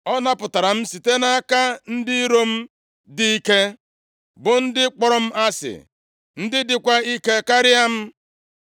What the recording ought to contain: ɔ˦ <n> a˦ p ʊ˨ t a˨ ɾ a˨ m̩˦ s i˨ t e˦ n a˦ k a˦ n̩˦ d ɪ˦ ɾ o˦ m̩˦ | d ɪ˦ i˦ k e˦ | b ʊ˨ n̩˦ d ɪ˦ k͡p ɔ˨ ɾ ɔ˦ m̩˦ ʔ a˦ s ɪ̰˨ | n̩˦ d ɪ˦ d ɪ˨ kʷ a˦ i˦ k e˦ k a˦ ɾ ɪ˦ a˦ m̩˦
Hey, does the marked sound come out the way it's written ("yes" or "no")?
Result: yes